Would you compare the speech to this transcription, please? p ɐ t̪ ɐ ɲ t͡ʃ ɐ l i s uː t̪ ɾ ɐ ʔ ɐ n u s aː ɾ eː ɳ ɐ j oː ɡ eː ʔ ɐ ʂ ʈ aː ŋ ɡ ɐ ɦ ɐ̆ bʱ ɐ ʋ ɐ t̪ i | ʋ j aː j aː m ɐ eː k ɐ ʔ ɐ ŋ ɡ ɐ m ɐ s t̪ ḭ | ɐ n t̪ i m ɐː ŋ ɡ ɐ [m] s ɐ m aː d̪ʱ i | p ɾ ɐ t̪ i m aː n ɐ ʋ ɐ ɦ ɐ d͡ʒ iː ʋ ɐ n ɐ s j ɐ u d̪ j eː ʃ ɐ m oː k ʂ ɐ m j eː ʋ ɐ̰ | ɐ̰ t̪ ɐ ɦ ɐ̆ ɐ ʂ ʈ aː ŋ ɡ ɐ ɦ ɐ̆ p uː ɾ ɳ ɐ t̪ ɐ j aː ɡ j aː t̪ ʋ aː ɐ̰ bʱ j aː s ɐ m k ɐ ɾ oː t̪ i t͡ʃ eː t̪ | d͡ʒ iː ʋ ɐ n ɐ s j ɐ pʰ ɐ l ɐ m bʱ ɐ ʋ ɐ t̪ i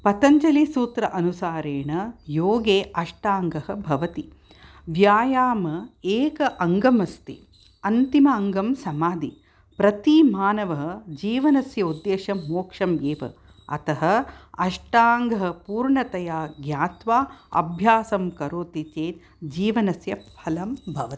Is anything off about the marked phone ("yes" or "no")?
no